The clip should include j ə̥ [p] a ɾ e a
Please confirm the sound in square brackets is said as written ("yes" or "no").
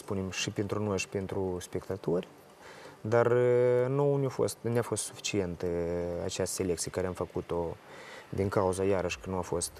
no